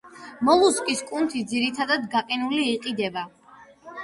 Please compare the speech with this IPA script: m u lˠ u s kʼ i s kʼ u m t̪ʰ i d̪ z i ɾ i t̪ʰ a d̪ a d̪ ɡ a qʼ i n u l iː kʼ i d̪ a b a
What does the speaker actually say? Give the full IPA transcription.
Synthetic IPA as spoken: m ɔ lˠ u s kʼ i s kʼ u n t̪ʰ i d̪ z i ɾ i t̪ʰ a d̪ a d̪ ɡ a qʼ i n u l iː qʼ i d̪ ɛ b a